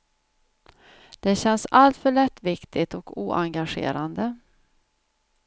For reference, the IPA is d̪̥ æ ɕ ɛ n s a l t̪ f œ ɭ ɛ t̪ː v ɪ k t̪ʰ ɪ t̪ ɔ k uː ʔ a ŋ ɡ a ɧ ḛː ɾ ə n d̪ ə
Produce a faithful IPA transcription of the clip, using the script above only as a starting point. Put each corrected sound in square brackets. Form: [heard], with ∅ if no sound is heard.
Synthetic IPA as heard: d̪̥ [ɛ] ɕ ɛ n s a l t̪ f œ ɭ ɛ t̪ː v ɪ k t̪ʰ ɪ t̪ ɔ k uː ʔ a ŋ ɡ a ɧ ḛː ɾ [a] n d̪ ə